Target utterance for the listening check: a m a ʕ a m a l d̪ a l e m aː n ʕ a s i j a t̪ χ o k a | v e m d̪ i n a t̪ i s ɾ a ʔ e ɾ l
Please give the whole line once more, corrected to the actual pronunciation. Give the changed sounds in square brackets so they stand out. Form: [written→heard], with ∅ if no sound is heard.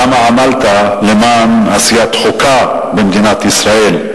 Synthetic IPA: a m a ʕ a m a l [d̪→t̪] a l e m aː n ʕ a s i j a t̪ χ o k a | [v→b] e m d̪ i n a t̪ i s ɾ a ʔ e [ɾ→∅] l